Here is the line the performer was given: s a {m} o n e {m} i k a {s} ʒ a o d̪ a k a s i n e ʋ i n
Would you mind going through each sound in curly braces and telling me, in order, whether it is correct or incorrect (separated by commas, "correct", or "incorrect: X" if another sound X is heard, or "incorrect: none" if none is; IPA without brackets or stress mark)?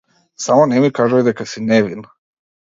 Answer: correct, correct, incorrect: none